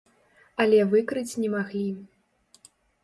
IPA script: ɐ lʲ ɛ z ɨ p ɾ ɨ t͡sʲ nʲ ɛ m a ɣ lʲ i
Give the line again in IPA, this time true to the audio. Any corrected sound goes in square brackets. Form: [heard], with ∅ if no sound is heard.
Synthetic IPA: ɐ lʲ ɛ [v] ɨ [k] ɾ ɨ t͡sʲ nʲ ɛ m a ɣ lʲ i

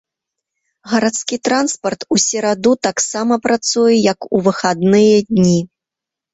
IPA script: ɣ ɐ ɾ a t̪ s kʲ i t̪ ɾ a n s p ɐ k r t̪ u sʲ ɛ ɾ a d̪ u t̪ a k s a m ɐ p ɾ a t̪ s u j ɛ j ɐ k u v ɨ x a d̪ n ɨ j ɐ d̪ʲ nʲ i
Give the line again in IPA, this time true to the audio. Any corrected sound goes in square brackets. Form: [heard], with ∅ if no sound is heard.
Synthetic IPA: ɣ ɐ ɾ a t̪ s kʲ i t̪ ɾ a n s p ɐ [∅] r t̪ u sʲ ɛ ɾ a d̪ u t̪ a k s a m ɐ p ɾ a t̪ s u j ɛ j ɐ k u v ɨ x a d̪ n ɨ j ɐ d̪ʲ nʲ i

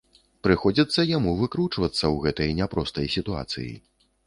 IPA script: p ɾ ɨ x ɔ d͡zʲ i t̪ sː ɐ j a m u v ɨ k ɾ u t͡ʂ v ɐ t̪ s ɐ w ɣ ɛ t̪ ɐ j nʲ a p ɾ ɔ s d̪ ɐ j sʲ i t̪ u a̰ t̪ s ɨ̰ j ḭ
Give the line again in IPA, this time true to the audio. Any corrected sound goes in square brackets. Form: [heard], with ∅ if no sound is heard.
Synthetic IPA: p ɾ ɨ x ɔ d͡zʲ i t̪ sː ɐ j a m u v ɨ k ɾ u t͡ʂ v ɐ t̪ [sː] ɐ w ɣ ɛ t̪ ɐ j nʲ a p ɾ ɔ s [t̪] ɐ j sʲ i t̪ u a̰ t̪ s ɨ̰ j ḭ

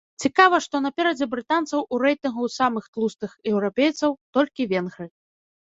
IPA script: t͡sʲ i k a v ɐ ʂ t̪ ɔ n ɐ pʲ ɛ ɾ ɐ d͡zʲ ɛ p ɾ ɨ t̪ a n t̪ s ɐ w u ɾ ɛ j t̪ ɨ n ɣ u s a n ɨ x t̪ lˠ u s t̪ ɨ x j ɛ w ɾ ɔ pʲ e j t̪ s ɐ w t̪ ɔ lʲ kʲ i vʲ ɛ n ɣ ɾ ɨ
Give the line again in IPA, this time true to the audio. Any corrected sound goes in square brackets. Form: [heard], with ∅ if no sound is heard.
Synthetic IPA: t͡sʲ i k a v ɐ ʂ t̪ ɔ n ɐ pʲ ɛ ɾ ɐ d͡zʲ ɛ [b] ɾ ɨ t̪ a n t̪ s ɐ w u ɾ ɛ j t̪ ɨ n ɣ u s a [m] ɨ x t̪ lˠ u s t̪ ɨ x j ɛ w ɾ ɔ pʲ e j t̪ s ɐ w t̪ ɔ lʲ kʲ i vʲ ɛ n ɣ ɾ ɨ

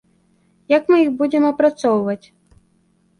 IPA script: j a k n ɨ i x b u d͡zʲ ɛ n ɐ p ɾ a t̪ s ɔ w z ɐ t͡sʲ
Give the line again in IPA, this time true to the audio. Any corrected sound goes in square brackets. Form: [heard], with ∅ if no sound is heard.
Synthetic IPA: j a k [m] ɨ i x b u d͡zʲ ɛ [m] ɐ p ɾ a t̪ s ɔ w [v] ɐ t͡sʲ

